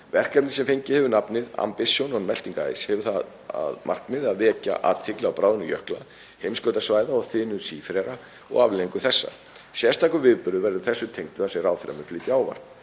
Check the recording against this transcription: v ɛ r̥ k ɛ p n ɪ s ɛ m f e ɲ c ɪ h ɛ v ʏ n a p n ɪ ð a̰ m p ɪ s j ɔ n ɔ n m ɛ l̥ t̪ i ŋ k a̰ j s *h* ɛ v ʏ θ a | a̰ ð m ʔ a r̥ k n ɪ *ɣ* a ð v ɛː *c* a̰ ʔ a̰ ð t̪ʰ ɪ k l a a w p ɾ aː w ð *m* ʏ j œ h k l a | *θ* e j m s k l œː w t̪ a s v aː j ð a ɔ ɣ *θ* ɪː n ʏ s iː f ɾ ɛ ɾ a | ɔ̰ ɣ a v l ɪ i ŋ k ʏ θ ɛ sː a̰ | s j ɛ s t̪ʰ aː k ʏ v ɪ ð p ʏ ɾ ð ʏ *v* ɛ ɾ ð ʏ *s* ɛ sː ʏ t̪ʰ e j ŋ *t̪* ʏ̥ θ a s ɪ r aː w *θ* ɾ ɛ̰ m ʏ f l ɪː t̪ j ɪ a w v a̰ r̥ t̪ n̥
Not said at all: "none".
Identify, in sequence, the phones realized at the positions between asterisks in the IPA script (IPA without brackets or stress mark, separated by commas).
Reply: h, ð, c, n, h, θ, v, θ, t̪, θ